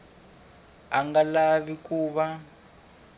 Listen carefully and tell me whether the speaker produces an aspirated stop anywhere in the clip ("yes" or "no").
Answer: no